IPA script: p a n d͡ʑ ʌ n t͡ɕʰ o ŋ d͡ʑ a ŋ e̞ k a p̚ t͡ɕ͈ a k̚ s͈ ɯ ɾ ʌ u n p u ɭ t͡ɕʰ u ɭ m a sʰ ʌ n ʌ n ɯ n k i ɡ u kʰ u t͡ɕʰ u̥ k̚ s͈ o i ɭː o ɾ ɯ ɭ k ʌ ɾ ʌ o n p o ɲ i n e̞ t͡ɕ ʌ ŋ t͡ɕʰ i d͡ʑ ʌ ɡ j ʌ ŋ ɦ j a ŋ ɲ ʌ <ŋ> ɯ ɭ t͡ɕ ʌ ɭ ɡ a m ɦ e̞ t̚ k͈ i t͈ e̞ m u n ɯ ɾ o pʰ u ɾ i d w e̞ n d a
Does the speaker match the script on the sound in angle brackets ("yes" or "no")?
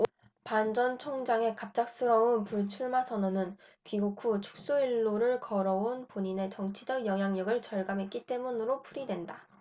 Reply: no